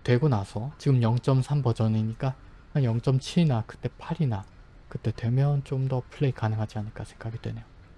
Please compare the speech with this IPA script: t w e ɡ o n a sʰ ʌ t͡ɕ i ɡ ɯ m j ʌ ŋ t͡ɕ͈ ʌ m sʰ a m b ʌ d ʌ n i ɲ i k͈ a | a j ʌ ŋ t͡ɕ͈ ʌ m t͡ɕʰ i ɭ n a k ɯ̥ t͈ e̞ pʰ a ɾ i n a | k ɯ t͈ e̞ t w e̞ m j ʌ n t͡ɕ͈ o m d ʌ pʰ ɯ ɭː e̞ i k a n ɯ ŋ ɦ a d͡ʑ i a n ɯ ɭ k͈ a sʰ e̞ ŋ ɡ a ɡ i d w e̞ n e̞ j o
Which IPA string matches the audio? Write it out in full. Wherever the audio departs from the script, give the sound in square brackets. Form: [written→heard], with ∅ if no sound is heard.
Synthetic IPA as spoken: t w e ɡ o n a sʰ ʌ t͡ɕ i ɡ ɯ m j ʌ ŋ t͡ɕ͈ ʌ m sʰ a m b ʌ [d→d͡ʑ] ʌ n i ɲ i k͈ a | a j ʌ ŋ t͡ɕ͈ ʌ m t͡ɕʰ i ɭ n a k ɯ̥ t͈ e̞ pʰ a ɾ i n a | k ɯ t͈ e̞ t w e̞ m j ʌ n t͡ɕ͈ o m d ʌ pʰ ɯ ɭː e̞ i k a n ɯ ŋ ɦ a d͡ʑ i a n ɯ ɭ k͈ a sʰ e̞ ŋ ɡ a ɡ i d w e̞ n e̞ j o